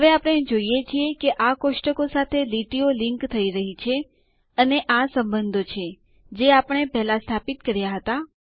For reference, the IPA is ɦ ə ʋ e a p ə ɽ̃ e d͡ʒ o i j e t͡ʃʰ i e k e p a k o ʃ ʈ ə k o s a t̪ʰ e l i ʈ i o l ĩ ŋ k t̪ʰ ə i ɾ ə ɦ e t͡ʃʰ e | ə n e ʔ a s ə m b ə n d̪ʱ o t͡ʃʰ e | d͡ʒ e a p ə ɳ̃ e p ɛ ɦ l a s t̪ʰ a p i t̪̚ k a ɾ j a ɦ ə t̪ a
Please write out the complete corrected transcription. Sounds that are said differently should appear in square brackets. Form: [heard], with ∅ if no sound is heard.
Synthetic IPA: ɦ ə ʋ e a p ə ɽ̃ e d͡ʒ o i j e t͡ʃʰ i e k e [ʔ] a k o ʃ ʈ ə k o s a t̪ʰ e l i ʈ i o l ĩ ŋ k t̪ʰ ə i ɾ ə ɦ [i] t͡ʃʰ e | ə n e ʔ a s ə m b ə n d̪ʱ o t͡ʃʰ e | d͡ʒ e a p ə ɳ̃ e p ɛ ɦ l a s t̪ʰ a p i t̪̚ k [ə] ɾ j a ɦ ə t̪ a